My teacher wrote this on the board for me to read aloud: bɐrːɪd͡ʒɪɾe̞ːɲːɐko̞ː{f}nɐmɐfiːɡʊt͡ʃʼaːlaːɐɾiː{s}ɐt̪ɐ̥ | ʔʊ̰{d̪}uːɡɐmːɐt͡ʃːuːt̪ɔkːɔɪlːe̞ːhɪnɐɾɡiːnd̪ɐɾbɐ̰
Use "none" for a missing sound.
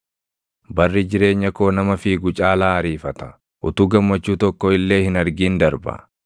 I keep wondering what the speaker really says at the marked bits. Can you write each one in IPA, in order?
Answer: none, f, t̪

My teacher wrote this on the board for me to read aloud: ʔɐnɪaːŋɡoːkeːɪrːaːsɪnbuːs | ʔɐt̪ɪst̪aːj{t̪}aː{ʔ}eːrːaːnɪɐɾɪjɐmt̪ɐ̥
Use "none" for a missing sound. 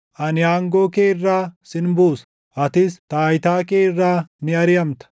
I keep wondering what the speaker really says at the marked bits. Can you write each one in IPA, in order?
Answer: t̪, k

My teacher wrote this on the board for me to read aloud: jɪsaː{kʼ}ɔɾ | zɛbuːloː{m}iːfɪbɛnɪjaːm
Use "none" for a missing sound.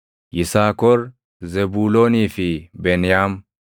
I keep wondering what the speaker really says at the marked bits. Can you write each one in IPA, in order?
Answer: k, n

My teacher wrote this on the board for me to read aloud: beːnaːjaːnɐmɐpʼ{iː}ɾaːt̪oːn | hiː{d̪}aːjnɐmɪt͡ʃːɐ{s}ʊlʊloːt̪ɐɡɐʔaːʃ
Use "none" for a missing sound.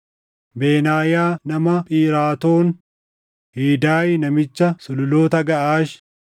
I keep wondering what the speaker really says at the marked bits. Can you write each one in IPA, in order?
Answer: iː, d̪, s

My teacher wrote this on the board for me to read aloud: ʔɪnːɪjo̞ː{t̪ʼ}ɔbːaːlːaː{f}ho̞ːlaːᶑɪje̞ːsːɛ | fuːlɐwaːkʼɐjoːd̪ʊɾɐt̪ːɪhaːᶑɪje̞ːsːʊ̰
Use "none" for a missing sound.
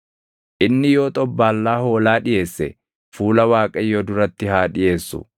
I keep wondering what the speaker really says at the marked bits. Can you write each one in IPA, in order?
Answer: t̪ʼ, none

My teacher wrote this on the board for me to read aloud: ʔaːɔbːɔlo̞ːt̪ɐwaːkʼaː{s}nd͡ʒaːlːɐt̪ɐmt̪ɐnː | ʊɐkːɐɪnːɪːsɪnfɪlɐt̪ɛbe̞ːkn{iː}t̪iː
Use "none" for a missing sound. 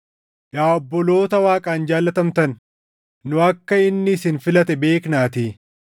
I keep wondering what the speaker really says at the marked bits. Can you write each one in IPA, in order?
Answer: none, aː

